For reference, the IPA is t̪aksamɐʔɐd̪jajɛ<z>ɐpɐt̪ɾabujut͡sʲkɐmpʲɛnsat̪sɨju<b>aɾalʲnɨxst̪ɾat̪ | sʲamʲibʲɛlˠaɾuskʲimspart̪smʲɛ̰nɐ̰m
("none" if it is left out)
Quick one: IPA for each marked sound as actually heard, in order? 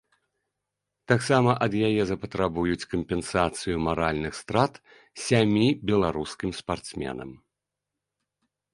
z, m

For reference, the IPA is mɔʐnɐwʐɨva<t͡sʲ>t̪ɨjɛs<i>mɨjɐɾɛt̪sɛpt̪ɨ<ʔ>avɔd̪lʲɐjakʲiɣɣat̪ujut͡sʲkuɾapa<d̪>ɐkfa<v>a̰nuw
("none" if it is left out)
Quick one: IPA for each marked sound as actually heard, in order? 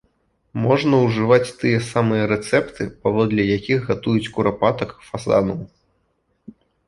t͡sʲ, a, p, t̪, z

